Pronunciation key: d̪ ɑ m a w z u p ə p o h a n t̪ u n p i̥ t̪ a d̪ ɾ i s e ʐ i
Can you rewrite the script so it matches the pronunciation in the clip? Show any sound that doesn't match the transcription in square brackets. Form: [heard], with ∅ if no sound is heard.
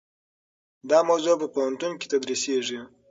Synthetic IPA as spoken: d̪ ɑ m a w z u p ə p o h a n t̪ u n [k] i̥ t̪ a d̪ ɾ i s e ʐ i